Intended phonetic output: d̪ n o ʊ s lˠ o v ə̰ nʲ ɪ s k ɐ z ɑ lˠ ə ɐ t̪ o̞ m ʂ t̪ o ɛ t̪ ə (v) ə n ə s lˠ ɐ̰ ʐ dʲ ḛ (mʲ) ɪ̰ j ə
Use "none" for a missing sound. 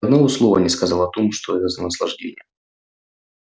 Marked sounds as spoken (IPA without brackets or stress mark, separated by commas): z, nʲ